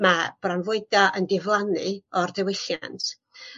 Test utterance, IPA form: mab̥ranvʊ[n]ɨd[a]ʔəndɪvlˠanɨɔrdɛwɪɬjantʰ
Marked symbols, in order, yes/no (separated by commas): no, yes